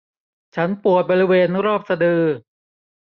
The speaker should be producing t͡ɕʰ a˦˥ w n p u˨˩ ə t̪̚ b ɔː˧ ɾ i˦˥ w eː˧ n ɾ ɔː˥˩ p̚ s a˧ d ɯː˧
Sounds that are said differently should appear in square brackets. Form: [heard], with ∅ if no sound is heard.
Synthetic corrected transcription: t͡ɕʰ a˦˥ [∅] n p u˨˩ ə t̪̚ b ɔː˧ ɾ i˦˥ w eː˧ n ɾ ɔː˥˩ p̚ s a˧ d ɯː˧